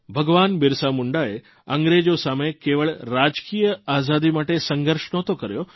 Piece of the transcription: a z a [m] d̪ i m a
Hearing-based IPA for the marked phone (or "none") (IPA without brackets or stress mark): none